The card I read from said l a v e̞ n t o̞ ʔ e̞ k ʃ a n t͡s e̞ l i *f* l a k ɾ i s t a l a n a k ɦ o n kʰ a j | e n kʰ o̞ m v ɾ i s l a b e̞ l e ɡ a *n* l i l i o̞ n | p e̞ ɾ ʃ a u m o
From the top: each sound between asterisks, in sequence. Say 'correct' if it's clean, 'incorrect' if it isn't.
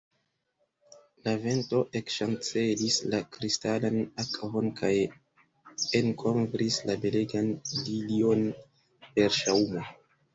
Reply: incorrect: s, correct

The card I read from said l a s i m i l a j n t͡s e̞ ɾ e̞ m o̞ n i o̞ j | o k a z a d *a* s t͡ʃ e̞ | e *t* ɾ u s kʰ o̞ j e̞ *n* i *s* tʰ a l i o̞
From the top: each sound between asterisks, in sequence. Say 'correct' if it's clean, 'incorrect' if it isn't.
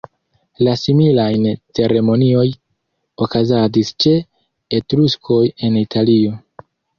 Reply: incorrect: i, correct, correct, incorrect: none

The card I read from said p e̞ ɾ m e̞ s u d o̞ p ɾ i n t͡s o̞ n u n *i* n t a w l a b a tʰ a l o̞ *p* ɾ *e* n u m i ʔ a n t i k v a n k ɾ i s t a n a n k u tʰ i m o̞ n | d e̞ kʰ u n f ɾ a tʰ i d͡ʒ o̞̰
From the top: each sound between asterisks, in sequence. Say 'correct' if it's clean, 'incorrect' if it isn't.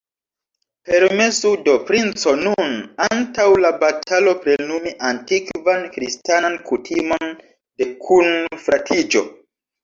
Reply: incorrect: a, correct, correct

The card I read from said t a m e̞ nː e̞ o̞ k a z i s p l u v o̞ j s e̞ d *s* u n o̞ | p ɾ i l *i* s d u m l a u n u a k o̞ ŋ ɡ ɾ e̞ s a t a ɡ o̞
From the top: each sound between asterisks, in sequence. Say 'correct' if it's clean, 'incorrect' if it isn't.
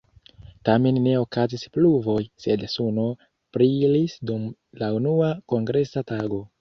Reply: correct, correct

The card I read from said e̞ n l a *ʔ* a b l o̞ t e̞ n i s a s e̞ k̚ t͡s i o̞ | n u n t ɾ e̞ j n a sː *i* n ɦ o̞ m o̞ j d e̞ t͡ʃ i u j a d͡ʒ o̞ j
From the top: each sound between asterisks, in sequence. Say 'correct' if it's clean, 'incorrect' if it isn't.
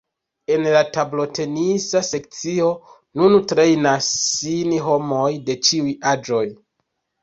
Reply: incorrect: t, correct

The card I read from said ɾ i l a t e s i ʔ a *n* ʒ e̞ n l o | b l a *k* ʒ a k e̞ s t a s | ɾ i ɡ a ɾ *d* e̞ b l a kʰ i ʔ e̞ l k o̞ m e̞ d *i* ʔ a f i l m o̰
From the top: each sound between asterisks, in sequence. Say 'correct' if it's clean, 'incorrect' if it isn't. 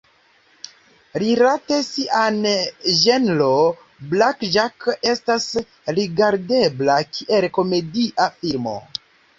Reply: correct, correct, correct, correct

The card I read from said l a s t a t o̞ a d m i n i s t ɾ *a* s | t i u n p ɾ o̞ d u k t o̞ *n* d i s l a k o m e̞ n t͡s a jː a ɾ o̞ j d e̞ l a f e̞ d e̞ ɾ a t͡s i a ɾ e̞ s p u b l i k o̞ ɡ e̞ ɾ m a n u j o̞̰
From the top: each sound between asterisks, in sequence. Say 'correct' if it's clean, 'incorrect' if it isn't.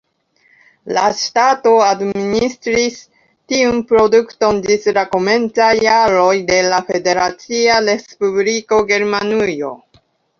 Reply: incorrect: i, correct

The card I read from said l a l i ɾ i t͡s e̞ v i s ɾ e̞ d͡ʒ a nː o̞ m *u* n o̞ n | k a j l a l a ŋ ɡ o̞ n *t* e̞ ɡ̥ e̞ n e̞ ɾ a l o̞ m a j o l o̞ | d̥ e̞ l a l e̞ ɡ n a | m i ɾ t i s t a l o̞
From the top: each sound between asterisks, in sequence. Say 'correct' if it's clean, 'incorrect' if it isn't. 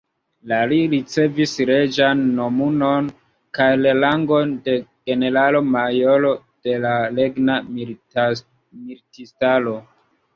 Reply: correct, incorrect: d

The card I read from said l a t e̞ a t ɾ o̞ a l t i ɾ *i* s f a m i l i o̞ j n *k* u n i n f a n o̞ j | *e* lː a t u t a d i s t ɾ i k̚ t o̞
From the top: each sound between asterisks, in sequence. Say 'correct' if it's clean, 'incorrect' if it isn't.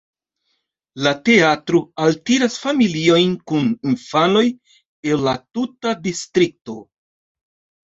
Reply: incorrect: a, correct, correct

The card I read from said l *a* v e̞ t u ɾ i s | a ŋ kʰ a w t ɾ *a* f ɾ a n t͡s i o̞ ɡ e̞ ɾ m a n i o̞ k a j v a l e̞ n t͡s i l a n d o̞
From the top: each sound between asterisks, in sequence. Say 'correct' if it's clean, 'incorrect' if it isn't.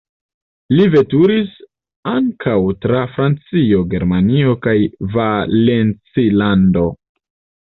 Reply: incorrect: i, correct

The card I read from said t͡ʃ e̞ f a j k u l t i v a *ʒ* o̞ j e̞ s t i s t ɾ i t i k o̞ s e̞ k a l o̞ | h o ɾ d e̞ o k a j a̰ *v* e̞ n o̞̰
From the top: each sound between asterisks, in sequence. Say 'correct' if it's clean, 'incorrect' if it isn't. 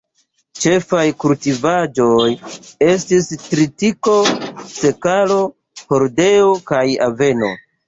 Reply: incorrect: d͡ʒ, correct

